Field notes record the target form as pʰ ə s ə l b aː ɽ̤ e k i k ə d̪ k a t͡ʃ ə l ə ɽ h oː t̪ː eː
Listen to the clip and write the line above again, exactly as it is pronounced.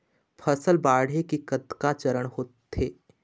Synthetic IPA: pʰ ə s ə l b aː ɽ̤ e k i k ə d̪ k a t͡ʃ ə ɾ ə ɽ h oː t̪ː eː